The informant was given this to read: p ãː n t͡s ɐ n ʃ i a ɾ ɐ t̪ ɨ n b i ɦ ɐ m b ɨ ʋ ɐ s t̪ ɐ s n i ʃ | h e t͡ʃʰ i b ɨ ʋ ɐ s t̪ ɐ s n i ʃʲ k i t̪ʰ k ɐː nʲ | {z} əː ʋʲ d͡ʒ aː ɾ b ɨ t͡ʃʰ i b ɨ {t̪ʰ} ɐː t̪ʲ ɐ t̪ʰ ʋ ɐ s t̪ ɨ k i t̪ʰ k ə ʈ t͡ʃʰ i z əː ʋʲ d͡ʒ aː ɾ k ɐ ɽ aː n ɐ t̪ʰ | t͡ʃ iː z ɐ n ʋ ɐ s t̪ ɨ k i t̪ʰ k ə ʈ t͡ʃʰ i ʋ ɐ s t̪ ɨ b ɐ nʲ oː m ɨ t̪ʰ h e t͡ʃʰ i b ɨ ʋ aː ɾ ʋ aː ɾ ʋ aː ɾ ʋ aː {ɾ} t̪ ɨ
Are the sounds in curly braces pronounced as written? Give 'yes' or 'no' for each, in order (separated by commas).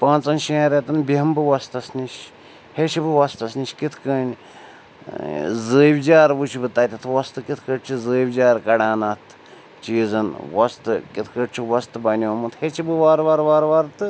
yes, no, yes